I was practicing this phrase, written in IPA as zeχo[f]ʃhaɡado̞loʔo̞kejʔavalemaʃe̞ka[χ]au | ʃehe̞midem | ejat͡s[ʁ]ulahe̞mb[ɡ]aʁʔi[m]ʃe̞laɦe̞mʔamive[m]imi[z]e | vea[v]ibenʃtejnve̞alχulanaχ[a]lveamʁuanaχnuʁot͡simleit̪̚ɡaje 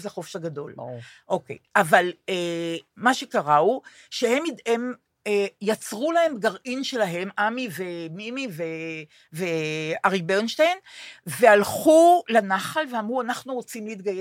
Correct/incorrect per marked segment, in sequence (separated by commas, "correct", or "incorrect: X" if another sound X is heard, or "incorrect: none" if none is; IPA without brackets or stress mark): correct, incorrect: ʁ, correct, correct, incorrect: n, correct, incorrect: v, incorrect: ʁ, correct